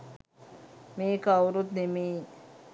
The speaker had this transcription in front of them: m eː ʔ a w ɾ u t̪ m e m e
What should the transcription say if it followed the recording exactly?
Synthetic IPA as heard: m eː k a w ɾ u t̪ n e m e

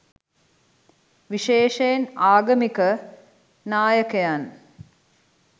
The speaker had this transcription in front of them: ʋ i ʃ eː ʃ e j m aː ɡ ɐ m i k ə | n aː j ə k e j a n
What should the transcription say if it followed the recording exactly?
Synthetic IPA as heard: ʋ i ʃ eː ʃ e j n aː ɡ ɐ m i k ə | n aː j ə k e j a n

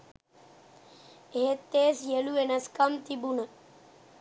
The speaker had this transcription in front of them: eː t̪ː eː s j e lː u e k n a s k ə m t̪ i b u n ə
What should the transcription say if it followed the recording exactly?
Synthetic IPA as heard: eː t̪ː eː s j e l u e n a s k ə m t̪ i b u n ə

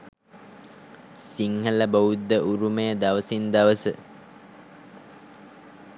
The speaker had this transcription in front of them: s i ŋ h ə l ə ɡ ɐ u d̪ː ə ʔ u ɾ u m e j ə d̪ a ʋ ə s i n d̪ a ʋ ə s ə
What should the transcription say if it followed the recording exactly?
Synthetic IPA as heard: s i ŋ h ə l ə b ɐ u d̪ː ə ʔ u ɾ u m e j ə d̪ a ʋ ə s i n d̪ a ʋ ə s ə

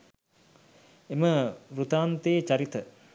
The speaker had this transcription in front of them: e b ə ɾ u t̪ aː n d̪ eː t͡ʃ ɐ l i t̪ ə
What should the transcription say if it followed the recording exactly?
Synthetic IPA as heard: e m ə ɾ u t̪ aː n t̪ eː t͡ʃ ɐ ɾ i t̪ ə

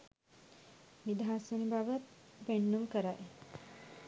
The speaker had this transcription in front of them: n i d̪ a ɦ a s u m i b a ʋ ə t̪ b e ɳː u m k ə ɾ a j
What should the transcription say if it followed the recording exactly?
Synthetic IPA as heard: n i d̪ a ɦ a s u n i b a ʋ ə t̪ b e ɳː u m k ə ɾ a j

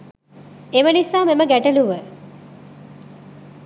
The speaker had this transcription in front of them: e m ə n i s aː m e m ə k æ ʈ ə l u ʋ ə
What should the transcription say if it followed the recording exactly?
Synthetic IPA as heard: e m ə n i s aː m e m ə ɡ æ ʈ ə l u ʋ ə

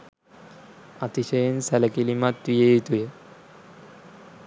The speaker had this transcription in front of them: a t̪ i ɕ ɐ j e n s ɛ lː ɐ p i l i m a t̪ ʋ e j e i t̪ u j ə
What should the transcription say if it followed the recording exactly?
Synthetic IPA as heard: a t̪ i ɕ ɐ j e n s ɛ l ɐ k i l i m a t̪ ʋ i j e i t̪ u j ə

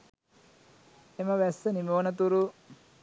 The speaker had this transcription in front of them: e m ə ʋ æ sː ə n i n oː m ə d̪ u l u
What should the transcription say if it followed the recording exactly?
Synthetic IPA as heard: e m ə ʋ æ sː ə n i m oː n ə t̪ u ɾ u

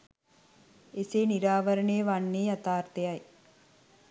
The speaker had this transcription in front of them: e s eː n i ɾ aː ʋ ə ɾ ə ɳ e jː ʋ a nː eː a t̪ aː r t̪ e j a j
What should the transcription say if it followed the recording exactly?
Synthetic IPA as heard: e s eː n i ɾ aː ʋ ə ɾ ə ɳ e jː ʋ a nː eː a t̪ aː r t̪ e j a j

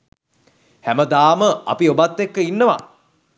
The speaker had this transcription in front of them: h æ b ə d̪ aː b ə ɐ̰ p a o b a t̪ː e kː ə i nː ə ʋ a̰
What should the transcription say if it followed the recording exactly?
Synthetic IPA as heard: h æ m ə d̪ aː m ə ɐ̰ p i o b a t̪ː e kː ə i nː ə ʋ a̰

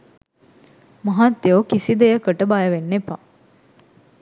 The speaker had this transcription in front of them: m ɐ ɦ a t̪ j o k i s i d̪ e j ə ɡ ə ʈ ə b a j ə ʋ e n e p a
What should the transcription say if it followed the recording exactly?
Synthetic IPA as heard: m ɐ ɦ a t̪ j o k i s i d̪ e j ə k ə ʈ ə b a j ə ʋ e nː e p a

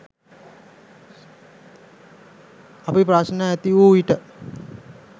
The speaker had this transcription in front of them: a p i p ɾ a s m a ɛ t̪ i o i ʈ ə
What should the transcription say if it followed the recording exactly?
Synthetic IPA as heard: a p i p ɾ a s n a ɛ t̪ i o i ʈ ə

